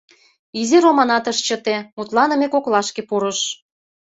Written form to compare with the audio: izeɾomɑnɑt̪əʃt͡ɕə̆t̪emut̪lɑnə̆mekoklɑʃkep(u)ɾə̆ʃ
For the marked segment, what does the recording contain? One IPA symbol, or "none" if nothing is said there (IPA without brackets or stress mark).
u